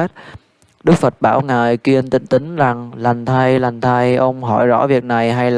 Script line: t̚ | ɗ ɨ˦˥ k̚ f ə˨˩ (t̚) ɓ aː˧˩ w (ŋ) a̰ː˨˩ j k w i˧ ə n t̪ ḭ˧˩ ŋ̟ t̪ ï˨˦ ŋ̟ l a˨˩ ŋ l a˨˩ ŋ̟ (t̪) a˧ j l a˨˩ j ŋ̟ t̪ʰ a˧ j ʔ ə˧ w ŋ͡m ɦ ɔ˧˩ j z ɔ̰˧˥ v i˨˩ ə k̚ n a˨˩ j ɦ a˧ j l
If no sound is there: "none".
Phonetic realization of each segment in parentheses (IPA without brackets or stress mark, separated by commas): t̚, ŋ, t̪ʰ